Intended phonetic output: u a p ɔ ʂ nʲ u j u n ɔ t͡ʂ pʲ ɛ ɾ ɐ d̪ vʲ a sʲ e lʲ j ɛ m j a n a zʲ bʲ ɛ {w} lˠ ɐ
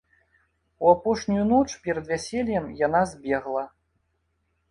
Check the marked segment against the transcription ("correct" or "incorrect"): incorrect